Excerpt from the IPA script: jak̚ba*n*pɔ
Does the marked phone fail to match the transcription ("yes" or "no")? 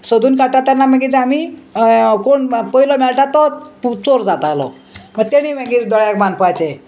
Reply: no